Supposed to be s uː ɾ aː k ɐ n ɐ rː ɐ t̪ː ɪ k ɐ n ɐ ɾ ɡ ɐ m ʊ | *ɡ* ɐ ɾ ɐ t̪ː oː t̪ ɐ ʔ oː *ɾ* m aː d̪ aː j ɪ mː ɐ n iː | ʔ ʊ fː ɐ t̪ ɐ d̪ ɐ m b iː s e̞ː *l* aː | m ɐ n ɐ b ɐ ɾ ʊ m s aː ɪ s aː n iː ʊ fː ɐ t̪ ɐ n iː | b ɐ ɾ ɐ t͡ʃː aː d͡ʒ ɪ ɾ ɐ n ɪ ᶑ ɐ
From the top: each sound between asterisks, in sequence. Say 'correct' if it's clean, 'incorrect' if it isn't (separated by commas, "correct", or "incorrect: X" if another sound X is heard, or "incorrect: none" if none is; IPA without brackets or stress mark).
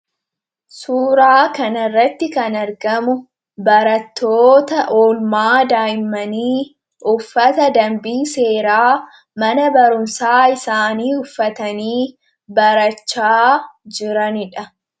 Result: incorrect: b, incorrect: l, incorrect: ɾ